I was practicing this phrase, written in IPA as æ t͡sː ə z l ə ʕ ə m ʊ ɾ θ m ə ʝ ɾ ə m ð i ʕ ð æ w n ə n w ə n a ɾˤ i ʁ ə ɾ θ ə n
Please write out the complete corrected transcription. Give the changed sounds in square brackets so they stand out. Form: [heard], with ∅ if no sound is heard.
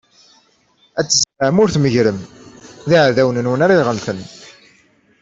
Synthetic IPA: æ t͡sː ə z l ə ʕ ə m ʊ ɾ θ m ə ʝ ɾ ə m ð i ʕ ð æ w n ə n w ə n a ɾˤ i ʁ ə [l] θ ə n